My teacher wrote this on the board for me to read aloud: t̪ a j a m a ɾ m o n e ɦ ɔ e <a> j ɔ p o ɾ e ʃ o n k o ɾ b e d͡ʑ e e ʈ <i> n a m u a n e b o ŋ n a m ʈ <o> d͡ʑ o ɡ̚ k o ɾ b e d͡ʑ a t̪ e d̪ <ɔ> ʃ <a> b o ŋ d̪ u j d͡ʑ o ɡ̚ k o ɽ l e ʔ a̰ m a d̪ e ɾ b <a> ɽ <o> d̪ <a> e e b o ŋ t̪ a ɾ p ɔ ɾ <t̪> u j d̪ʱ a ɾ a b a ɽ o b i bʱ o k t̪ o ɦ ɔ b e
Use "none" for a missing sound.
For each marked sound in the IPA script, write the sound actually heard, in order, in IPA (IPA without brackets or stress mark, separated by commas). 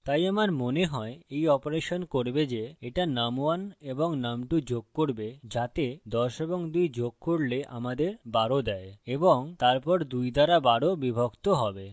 e, a, u, ɔ, e, a, o, ɛ, d̪